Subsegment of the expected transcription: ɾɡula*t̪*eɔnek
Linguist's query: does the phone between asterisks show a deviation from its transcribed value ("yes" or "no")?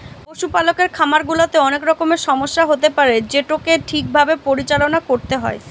no